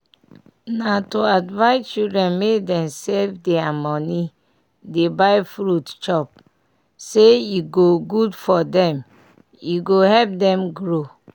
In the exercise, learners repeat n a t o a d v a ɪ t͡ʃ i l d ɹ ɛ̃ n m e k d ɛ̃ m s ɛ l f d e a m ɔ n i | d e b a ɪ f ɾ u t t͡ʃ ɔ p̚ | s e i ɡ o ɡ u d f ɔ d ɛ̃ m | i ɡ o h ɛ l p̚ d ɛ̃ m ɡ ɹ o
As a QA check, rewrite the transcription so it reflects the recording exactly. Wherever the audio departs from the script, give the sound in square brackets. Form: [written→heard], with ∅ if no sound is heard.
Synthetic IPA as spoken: n a t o a d v a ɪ t͡ʃ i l d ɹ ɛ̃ n m e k d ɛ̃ m s ɛ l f d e a m ɔ n i | d e b a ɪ f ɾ u t t͡ʃ ɔ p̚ | s e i ɡ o ɡ u d f ɔ d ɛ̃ m | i ɡ o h ɛ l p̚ d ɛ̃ m ɡ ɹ o